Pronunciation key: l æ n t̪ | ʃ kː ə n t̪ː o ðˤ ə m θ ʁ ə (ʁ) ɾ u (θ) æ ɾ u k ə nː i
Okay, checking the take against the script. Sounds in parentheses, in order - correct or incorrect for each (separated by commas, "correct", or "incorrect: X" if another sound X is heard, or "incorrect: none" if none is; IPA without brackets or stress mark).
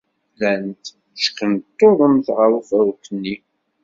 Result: incorrect: none, incorrect: f